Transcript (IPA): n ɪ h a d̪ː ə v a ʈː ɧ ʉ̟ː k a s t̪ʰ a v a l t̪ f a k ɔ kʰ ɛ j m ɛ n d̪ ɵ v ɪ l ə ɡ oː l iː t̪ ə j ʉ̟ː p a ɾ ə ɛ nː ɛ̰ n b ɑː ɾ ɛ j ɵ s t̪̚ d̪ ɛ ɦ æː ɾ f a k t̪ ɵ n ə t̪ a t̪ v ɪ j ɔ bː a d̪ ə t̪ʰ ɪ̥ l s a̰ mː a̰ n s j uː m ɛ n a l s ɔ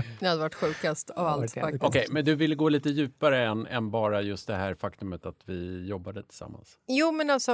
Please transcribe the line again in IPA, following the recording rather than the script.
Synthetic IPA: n ɪ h a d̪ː ə v a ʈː ɧ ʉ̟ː k a s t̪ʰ a v a l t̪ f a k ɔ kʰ ɛ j m ɛ n d̪ ɵ v ɪ lː ə ɡ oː l iː t̪ ə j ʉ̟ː p a ɾ ə ɛ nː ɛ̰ n b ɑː ɾ a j ɵ s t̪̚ d̪ ɛ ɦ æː ɾ f a k t̪ ɵ m ə t̪ a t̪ v ɪ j ɔ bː a d̪ ə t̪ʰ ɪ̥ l s a̰ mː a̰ n s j uː m ɛ n a l s ɔ